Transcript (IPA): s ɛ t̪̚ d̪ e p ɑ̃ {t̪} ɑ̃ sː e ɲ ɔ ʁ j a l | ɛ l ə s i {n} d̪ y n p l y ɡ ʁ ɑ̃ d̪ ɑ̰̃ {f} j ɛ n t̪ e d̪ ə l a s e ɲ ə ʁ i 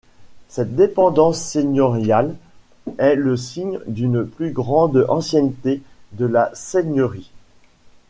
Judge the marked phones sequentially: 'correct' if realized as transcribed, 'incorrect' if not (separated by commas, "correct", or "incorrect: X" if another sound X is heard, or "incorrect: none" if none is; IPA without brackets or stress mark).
incorrect: d̪, incorrect: ɲ, incorrect: s